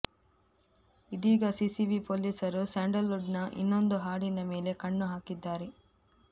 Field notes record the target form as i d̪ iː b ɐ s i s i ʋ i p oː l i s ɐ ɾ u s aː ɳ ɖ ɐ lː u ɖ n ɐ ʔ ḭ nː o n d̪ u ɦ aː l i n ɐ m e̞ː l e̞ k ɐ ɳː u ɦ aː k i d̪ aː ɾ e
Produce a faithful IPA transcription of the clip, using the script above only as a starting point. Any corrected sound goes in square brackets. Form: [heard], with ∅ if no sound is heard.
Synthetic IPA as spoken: i d̪ iː [ɡ] ɐ s i s i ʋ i p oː l i s ɐ ɾ u s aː ɳ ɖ ɐ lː u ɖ n ɐ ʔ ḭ nː o n d̪ u ɦ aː [ɽ] i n ɐ m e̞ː l e̞ k ɐ ɳː u ɦ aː k i [d̪ː] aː ɾ e

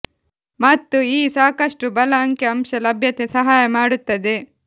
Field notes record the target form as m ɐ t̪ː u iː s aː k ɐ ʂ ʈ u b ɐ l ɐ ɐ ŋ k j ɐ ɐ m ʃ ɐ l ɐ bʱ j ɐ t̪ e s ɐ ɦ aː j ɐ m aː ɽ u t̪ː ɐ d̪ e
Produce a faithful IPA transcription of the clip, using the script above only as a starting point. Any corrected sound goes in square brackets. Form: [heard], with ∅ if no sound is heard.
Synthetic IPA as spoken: m ɐ t̪ː u iː s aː k ɐ ʂ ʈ u b ɐ l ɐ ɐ ŋ k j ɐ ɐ m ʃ ɐ l ɐ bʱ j ɐ t̪ e s ɐ ɦ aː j ɐ m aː ɽ u t̪ː ɐ d̪ e

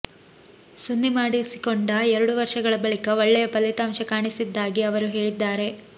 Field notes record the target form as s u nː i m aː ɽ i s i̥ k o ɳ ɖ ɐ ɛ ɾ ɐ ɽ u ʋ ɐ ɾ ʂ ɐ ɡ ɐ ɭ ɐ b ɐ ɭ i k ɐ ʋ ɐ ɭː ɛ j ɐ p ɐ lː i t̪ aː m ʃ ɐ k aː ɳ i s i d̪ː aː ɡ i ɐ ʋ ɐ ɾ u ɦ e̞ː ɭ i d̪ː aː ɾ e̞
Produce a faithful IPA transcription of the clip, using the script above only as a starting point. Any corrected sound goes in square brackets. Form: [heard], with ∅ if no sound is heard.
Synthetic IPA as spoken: s u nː i m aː ɽ i s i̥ k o ɳ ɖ ɐ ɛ ɾ ɐ ɽ u ʋ ɐ ɾ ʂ ɐ ɡ ɐ ɭ ɐ b ɐ ɭ i k ɐ ʋ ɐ ɭː ɛ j ɐ p ɐ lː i t̪ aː m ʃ ɐ k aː ɳ i s i d̪ː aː ɡ i ɐ ʋ ɐ ɾ u ɦ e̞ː ɭ i d̪ː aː ɾ e̞

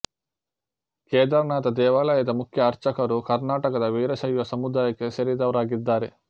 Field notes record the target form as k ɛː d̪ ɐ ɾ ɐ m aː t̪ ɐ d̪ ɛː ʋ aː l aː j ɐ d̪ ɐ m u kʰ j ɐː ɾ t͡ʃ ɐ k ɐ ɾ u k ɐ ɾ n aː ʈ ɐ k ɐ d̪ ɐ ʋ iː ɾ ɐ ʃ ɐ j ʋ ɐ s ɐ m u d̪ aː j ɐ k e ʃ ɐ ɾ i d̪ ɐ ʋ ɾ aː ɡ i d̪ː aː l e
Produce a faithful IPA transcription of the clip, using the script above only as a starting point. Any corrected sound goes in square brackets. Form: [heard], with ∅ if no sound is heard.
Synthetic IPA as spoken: k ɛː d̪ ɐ ɾ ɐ [n] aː t̪ ɐ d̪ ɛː ʋ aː l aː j ɐ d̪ ɐ m u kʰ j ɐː ɾ t͡ʃ ɐ k ɐ ɾ u k ɐ ɾ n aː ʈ ɐ k ɐ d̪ ɐ ʋ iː ɾ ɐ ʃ ɐ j ʋ ɐ s ɐ m u d̪ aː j ɐ k e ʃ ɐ ɾ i d̪ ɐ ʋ ɾ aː ɡ i d̪ː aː [ɾ] e

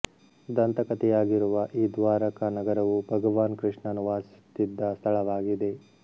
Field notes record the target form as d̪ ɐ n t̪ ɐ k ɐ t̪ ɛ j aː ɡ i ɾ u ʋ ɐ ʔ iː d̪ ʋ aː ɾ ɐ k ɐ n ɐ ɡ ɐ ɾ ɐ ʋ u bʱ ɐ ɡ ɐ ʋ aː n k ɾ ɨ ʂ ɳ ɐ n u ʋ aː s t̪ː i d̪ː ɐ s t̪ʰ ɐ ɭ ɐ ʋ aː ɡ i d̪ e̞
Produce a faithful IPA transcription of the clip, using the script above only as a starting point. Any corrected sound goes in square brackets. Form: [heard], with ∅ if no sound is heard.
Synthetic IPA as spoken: d̪ ɐ n t̪ ɐ k ɐ t̪ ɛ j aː ɡ i ɾ u ʋ ɐ ʔ iː d̪ ʋ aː ɾ ɐ k ɐ n ɐ ɡ ɐ ɾ ɐ ʋ u bʱ ɐ ɡ ɐ ʋ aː n k ɾ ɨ ʂ ɳ ɐ n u ʋ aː s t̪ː i d̪ː ɐ s t̪ʰ ɐ ɭ ɐ ʋ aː ɡ i d̪ e̞

